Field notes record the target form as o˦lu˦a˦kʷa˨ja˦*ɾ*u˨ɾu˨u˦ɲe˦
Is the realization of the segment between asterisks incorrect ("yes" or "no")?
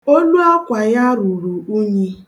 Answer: no